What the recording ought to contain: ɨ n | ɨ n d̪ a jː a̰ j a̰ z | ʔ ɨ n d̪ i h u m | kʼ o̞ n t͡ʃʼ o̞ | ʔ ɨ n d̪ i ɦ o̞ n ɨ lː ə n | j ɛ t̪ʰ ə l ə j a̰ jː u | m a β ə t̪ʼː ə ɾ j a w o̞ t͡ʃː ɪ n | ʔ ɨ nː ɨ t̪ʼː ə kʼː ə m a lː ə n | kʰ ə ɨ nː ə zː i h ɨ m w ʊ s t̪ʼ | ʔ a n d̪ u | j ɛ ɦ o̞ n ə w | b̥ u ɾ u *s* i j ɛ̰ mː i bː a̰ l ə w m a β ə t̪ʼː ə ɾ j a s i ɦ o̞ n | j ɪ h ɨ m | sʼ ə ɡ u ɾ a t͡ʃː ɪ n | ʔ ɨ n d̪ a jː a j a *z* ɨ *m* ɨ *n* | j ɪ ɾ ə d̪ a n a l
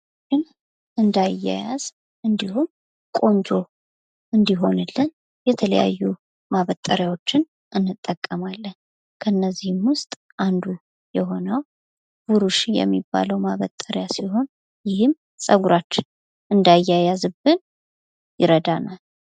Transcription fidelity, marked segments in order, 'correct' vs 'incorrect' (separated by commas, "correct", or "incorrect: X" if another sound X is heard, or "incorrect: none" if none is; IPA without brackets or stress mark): incorrect: ʃ, correct, incorrect: b, correct